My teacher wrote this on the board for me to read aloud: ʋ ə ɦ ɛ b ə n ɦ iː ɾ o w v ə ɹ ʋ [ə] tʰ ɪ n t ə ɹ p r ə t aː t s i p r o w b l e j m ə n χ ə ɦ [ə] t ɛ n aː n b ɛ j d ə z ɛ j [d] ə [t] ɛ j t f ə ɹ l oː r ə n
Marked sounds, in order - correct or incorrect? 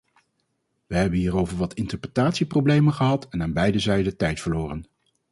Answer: incorrect, incorrect, correct, correct

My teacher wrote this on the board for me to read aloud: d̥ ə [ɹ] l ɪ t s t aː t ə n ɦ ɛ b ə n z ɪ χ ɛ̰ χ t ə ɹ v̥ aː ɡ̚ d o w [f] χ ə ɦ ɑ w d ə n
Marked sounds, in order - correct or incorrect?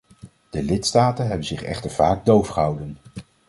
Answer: incorrect, correct

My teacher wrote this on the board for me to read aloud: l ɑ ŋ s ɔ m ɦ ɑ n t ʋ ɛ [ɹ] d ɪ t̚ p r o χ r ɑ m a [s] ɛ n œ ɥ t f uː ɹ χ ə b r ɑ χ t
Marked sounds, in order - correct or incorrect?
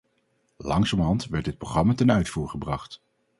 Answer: correct, incorrect

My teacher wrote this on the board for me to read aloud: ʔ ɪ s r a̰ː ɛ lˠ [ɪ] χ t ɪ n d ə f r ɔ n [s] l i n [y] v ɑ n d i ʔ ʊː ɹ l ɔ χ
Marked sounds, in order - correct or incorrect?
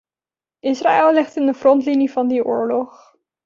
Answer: correct, incorrect, incorrect

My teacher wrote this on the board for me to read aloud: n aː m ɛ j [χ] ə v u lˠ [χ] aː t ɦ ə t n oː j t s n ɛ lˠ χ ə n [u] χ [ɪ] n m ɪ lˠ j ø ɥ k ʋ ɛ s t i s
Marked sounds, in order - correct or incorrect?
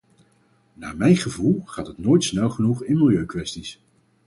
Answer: correct, correct, correct, correct

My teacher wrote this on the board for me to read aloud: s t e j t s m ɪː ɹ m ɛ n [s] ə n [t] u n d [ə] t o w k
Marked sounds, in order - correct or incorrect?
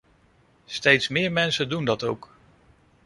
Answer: correct, incorrect, incorrect

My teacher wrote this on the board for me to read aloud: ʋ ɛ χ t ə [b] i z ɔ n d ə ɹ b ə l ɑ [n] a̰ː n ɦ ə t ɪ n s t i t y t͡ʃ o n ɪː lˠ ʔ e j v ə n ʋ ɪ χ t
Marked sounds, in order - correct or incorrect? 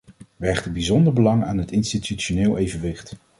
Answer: correct, incorrect

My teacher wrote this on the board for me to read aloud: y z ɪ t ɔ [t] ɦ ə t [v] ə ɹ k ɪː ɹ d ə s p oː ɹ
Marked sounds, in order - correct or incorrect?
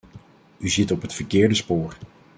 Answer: incorrect, incorrect

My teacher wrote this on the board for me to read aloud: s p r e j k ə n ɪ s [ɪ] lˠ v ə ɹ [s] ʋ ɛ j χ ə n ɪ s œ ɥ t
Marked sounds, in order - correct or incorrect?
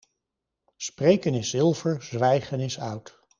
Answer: correct, incorrect

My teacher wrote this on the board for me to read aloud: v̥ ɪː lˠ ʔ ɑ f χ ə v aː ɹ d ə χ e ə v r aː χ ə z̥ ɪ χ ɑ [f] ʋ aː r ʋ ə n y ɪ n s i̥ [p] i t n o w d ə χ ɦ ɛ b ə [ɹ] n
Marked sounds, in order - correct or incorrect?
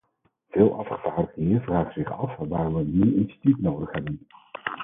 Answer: correct, incorrect, incorrect

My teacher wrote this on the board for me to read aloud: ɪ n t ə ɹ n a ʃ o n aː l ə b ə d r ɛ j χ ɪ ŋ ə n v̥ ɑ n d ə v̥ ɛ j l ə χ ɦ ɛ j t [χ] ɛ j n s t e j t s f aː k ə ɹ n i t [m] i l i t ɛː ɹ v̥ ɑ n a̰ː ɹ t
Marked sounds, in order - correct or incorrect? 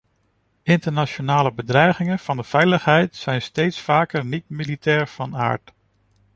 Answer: incorrect, correct

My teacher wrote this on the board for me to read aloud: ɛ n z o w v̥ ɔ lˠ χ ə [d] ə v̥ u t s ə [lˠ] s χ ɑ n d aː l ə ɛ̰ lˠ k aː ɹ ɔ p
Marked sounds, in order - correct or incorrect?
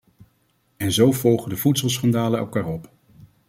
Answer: correct, correct

